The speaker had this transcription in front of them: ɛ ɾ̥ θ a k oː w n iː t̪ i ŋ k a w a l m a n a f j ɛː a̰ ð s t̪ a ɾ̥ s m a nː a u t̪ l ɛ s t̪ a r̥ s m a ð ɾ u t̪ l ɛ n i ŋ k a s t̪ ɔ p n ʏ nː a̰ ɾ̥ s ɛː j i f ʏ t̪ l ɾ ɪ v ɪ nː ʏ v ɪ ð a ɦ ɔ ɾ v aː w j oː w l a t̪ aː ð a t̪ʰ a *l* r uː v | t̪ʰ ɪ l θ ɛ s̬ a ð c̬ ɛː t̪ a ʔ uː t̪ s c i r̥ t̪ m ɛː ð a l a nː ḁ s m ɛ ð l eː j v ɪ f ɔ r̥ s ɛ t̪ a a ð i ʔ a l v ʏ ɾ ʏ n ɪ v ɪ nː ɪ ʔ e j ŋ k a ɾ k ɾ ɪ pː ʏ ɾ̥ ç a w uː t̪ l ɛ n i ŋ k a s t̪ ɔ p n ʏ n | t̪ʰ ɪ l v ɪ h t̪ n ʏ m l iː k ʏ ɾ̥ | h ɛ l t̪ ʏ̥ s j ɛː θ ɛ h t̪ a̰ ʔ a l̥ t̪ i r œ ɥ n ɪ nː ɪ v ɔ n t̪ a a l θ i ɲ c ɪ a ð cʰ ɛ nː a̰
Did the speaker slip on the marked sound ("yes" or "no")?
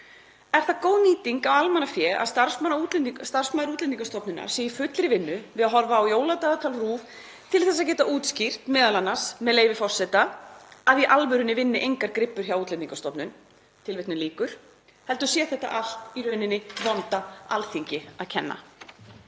no